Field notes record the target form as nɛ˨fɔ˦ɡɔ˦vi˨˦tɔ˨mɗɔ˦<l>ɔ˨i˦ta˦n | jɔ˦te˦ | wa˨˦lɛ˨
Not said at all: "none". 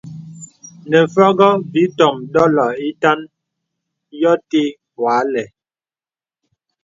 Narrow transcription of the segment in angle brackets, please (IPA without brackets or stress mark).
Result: l